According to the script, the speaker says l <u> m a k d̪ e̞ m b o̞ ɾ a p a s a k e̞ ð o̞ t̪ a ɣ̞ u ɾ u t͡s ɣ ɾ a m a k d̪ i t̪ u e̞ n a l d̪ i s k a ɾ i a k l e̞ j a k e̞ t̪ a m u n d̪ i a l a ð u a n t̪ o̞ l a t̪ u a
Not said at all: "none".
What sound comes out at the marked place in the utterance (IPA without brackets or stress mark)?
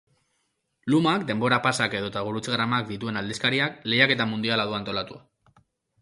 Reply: u